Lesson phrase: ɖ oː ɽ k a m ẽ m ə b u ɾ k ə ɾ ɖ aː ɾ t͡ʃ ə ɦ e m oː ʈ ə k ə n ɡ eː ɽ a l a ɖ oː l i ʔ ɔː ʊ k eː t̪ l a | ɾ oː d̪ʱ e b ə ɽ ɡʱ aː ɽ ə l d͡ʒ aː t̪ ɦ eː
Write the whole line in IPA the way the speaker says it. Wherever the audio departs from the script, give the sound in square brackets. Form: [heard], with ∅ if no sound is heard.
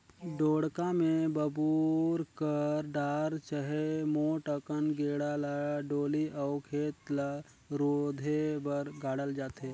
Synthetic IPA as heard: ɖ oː ɽ k a m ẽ [b] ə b u ɾ k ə ɾ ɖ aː ɾ t͡ʃ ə ɦ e m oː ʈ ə k ə n ɡ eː ɽ a l a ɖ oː l i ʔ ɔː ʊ [kʰ] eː t̪ l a | ɾ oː d̪ʱ e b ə [ɾ] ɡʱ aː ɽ ə l d͡ʒ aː t̪ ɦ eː